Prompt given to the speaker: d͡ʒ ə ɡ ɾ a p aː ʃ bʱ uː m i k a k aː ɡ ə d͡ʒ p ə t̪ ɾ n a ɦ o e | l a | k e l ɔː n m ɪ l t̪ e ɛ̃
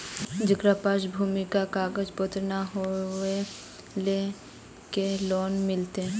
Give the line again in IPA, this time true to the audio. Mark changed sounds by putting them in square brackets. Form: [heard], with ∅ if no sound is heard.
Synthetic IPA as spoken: d͡ʒ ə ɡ ɾ a p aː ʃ bʱ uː m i k a k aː ɡ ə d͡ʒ p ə t̪ ɾ n a ɦ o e | l [e] | k e l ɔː n m ɪ l t̪ e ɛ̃